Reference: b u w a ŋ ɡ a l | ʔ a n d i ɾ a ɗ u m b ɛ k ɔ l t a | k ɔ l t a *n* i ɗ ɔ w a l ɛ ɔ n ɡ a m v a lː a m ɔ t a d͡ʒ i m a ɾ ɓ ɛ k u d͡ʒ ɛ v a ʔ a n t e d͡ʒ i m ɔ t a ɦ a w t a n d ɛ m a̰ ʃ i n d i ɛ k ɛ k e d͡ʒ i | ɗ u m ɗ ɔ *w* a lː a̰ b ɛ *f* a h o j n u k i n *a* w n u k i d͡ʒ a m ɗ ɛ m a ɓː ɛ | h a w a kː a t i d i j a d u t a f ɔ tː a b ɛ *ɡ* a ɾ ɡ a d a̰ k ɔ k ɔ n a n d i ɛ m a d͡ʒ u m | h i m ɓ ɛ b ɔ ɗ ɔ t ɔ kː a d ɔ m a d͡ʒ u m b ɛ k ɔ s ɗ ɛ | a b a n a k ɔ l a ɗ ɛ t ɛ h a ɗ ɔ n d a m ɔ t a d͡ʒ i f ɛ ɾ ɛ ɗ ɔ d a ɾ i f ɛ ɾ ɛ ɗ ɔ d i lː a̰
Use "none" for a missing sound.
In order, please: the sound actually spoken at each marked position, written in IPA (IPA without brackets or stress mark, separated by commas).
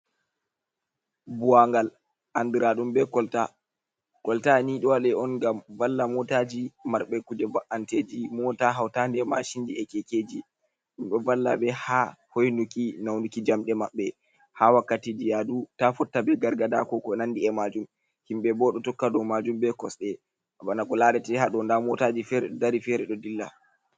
n, v, h, a, ɡ